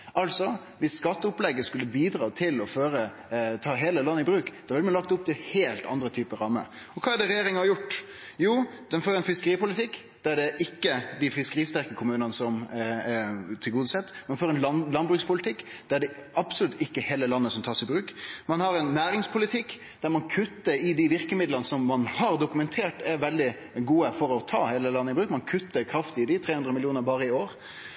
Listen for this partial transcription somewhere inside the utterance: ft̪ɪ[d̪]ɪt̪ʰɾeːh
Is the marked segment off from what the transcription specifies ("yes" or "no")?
no